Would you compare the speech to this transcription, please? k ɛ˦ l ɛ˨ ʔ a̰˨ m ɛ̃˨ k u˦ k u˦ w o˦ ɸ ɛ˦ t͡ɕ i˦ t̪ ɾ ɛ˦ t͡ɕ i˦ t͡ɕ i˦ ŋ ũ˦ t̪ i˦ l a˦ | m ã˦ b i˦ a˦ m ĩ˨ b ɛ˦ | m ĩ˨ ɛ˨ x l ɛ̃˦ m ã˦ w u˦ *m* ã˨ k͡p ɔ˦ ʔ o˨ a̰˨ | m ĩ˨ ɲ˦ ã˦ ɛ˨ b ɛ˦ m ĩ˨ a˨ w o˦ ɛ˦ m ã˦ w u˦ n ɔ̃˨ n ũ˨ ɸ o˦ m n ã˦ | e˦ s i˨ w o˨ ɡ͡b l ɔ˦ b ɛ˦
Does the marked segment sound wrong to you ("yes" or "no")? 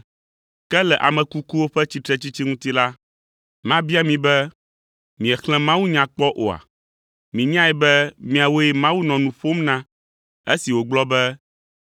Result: yes